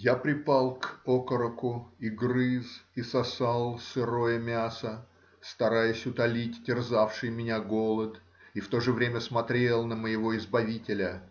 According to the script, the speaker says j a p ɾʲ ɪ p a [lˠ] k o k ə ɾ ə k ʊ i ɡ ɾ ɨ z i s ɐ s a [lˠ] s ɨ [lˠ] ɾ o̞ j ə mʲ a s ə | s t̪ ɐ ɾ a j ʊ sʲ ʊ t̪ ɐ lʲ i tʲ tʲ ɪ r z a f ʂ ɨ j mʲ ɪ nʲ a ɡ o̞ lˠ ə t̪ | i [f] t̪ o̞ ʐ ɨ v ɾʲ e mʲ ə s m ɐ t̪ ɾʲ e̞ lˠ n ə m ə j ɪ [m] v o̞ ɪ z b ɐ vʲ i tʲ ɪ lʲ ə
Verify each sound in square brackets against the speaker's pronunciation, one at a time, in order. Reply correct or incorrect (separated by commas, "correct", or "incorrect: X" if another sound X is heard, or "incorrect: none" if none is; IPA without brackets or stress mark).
correct, correct, incorrect: none, correct, incorrect: none